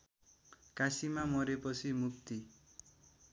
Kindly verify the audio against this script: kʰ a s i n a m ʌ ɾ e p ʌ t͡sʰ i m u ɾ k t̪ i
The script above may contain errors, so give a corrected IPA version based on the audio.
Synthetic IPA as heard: k a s i m a m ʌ ɾ e p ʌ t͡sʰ i m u k t̪ i